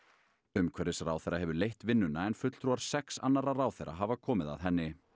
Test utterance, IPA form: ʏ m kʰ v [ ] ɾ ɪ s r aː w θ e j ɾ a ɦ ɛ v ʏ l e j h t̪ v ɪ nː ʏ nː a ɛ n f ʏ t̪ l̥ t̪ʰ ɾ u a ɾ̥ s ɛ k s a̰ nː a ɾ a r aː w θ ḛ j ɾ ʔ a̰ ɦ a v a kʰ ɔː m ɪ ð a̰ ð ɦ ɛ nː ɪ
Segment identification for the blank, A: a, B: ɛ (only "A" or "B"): B